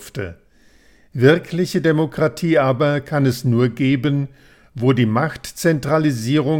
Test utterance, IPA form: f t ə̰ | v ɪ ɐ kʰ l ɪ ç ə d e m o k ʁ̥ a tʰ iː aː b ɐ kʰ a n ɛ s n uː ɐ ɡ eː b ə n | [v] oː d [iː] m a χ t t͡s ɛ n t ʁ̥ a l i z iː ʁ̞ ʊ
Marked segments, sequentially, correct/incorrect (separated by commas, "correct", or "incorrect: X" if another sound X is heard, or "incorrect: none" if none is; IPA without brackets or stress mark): correct, correct